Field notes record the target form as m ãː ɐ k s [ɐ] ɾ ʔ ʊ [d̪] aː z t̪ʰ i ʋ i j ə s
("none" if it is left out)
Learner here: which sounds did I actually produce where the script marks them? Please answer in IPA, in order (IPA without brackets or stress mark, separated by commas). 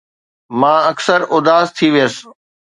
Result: ə, d̪